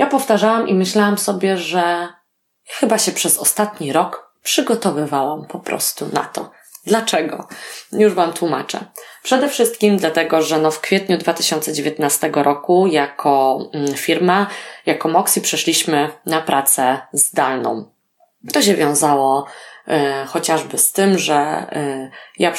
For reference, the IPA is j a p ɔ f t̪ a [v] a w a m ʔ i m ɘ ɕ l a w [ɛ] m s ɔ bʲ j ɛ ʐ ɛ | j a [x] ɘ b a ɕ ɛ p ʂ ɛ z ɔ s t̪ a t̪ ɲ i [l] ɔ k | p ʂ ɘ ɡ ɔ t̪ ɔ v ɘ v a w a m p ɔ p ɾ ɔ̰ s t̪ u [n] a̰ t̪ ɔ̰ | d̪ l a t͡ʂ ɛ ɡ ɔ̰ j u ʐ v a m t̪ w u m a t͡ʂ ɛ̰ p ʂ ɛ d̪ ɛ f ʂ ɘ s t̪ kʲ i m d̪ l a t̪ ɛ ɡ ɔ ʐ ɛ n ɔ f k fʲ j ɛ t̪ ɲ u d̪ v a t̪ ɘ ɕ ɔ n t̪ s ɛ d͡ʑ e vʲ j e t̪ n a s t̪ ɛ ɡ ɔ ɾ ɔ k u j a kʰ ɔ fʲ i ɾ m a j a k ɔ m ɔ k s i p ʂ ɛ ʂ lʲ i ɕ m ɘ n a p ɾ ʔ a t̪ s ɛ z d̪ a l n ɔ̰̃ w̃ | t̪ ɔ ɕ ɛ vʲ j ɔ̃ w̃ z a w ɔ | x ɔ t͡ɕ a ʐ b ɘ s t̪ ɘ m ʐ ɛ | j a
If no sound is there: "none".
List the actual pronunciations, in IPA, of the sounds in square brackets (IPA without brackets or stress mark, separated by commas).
ʐ, a, x, ɾ, n